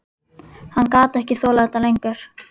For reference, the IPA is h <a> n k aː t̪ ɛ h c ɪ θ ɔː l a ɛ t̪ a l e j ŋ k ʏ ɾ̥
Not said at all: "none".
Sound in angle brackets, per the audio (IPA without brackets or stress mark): a